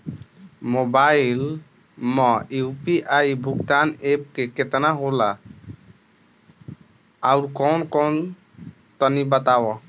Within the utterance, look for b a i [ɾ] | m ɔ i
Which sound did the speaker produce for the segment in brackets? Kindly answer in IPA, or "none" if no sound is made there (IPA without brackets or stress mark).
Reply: l